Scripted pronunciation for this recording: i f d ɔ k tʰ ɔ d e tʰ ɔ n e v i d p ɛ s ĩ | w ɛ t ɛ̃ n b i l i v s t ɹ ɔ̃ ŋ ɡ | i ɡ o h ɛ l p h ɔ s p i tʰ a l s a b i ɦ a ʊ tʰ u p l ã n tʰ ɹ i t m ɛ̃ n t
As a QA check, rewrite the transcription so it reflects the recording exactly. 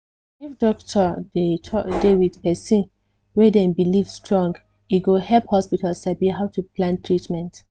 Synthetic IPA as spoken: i f d ɔ k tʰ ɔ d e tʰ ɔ d e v i d p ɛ s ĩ | w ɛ d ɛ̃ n b i l i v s t ɹ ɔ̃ ŋ ɡ | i ɡ o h ɛ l p h ɔ s p i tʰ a l s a b i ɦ a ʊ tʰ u p l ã n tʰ ɹ i t m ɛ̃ n t